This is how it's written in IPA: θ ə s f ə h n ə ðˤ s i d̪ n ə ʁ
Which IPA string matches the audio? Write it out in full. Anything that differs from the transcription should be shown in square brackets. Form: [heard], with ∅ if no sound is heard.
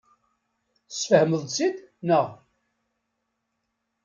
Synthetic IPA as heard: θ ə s f ə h [m] ə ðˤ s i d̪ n ə ʁ